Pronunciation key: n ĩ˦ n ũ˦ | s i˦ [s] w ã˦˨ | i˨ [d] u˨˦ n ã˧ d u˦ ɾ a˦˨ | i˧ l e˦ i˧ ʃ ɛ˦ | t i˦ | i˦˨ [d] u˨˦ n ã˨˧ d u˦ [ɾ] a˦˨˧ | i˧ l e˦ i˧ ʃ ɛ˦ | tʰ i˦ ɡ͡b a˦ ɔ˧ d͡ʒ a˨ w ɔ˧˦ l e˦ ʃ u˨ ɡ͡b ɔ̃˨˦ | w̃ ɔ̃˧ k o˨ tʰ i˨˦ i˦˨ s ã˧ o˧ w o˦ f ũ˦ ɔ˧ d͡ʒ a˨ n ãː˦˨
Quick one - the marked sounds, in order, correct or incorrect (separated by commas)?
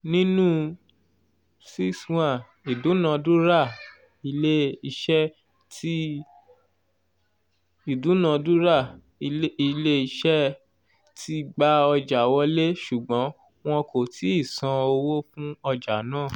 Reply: correct, correct, correct, correct